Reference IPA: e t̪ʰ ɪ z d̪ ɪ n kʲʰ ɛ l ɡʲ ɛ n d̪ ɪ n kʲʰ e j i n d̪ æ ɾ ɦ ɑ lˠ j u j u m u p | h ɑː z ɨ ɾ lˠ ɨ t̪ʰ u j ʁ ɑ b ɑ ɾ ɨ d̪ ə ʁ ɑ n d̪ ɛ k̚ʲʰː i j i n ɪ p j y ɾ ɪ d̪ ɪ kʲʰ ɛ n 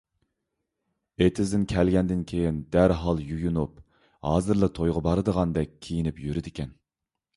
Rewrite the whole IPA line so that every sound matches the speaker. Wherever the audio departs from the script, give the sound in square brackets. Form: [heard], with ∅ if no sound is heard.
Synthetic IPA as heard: e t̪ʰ ɪ z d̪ ɪ n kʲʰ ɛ l ɡʲ ɛ n d̪ ɪ n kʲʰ e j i n d̪ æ ɾ ɦ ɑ lˠ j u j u [n] u p | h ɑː z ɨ ɾ lˠ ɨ t̪ʰ [o] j ʁ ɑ b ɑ ɾ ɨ d̪ ə ʁ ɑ n d̪ ɛ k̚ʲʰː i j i n ɪ p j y ɾ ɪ d̪ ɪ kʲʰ ɛ n